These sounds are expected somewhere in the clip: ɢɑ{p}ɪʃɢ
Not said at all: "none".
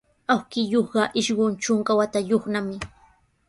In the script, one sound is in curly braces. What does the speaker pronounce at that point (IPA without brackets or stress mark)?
ʔ